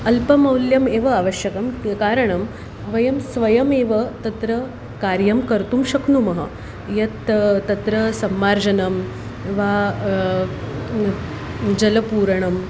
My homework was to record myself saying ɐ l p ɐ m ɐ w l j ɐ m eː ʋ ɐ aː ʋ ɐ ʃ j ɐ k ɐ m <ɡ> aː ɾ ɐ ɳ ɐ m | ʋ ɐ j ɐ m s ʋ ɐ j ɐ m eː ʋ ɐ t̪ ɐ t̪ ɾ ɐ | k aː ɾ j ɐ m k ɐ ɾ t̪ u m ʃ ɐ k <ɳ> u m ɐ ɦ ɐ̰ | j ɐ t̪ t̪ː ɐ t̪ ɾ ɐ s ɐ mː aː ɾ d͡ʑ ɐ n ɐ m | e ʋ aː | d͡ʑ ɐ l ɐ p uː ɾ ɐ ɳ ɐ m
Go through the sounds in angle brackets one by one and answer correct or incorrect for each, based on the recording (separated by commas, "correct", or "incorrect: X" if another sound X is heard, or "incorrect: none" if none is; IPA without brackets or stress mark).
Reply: incorrect: k, incorrect: n